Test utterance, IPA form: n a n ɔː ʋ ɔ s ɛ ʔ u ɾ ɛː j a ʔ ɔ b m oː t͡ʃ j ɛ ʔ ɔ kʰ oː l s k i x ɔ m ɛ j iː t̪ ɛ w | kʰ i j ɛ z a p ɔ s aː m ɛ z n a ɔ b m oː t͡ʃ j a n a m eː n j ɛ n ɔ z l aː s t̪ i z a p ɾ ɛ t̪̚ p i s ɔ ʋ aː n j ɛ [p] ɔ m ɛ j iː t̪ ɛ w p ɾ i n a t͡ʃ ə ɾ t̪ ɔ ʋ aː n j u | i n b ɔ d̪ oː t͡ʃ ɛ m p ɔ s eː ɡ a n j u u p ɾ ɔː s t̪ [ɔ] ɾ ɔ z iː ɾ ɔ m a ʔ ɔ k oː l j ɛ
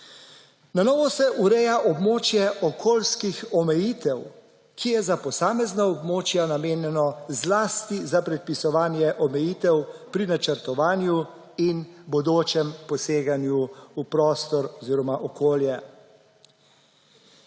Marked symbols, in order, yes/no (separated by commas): no, yes